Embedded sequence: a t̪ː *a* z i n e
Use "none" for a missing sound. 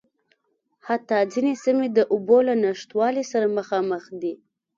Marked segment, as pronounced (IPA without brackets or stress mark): ɑ